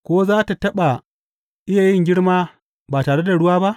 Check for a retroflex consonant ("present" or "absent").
present